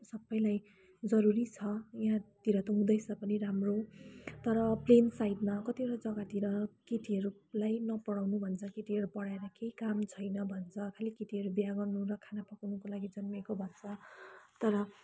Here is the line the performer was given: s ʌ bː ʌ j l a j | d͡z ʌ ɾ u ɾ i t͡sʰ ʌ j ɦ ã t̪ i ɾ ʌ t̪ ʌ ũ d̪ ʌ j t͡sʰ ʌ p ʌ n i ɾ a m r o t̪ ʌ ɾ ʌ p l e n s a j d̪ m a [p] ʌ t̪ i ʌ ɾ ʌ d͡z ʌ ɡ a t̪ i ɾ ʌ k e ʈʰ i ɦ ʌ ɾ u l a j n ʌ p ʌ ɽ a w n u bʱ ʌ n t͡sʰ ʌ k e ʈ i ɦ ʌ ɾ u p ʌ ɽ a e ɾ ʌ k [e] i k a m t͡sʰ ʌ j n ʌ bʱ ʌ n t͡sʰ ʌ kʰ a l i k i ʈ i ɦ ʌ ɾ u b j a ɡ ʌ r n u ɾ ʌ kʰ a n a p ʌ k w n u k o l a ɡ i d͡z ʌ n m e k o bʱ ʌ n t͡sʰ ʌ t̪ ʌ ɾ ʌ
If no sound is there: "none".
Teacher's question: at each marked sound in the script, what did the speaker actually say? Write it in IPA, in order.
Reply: k, e

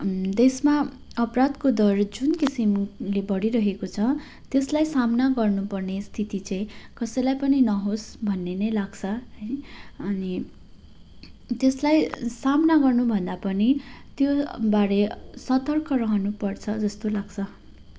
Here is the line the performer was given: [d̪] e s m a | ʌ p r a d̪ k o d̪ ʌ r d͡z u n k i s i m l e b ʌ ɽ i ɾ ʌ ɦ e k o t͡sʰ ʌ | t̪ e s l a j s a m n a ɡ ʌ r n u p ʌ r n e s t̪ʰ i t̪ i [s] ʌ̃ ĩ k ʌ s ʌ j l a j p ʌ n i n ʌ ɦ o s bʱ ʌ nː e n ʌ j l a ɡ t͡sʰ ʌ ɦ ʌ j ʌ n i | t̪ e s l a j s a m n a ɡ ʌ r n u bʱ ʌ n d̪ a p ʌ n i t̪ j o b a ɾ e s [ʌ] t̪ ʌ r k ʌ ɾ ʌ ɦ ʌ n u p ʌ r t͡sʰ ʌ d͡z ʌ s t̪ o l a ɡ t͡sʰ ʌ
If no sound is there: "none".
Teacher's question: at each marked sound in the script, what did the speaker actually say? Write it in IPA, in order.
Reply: d̪, t͡s, ʌ

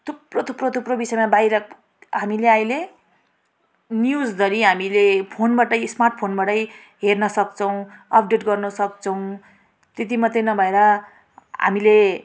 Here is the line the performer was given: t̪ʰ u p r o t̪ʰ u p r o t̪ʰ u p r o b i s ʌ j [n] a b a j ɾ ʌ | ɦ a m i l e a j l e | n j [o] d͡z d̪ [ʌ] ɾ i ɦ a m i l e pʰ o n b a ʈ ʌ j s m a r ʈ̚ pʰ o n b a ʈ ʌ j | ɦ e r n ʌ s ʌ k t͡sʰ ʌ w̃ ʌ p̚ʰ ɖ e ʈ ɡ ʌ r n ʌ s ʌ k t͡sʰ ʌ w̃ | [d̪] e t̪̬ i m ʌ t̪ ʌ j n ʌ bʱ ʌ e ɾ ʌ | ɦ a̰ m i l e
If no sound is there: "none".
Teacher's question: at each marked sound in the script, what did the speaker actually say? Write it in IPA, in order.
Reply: m, u, ʌ, t̪

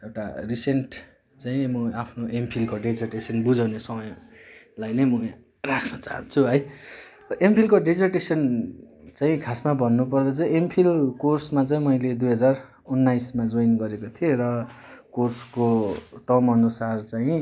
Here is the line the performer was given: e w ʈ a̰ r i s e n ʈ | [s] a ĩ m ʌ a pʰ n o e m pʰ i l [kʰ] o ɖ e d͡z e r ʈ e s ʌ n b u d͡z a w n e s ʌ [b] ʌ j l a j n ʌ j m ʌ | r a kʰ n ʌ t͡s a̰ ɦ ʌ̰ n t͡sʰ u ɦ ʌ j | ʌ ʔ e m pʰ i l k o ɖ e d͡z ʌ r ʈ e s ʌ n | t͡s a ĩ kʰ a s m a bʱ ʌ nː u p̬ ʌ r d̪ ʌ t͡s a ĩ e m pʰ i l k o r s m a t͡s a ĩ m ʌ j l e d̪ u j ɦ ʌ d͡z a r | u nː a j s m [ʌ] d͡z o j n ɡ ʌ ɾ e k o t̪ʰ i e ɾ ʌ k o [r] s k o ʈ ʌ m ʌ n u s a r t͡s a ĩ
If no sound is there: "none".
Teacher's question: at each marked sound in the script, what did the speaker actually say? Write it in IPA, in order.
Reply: t͡s, k, m, a, r

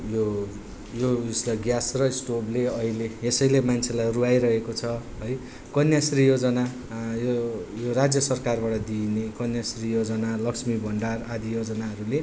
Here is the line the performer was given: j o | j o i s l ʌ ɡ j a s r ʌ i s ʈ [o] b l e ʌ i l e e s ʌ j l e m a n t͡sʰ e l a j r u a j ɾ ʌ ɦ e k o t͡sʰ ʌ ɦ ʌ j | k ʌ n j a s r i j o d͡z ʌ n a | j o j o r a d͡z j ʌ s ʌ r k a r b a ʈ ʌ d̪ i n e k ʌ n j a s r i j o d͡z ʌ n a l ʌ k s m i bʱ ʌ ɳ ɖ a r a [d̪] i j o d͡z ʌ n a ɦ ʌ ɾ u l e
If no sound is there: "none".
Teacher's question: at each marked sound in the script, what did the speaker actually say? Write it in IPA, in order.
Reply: o, d̪

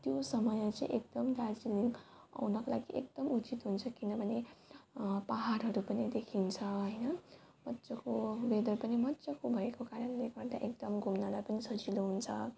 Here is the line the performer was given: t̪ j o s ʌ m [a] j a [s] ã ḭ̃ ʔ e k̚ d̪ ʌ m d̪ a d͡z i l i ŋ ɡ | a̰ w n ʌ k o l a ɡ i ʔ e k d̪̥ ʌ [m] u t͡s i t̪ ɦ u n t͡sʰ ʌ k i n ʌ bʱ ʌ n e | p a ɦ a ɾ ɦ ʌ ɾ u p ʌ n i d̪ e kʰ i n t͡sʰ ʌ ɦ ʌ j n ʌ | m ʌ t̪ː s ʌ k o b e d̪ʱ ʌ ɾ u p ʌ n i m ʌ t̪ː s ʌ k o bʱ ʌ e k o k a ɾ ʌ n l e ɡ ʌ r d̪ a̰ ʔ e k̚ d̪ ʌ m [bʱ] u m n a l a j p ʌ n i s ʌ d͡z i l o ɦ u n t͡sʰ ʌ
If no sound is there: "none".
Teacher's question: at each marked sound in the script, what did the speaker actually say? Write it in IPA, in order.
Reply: ʌ, t͡s, m, ɡʱ

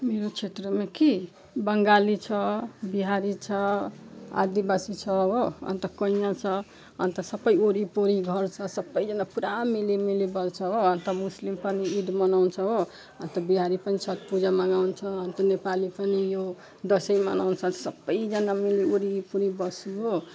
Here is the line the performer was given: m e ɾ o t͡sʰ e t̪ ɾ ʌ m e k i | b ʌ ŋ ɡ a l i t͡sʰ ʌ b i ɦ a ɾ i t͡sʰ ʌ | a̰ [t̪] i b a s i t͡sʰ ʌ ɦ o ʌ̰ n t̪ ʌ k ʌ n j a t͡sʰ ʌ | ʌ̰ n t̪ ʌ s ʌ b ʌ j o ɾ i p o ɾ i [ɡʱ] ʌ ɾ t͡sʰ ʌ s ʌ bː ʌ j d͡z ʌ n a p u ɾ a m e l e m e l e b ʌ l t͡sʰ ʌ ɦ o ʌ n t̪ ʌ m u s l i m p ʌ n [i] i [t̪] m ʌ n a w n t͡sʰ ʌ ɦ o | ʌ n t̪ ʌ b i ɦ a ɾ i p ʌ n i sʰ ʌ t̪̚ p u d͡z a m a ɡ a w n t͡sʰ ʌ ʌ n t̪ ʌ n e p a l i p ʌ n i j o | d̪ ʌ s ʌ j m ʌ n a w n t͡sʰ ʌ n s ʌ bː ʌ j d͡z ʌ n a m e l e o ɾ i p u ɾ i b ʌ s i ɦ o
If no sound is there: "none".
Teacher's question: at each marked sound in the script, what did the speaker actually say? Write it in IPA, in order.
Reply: d̪, ɡʱ, i, d̪

